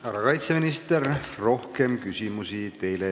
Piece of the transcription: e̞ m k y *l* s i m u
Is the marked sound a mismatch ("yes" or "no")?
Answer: yes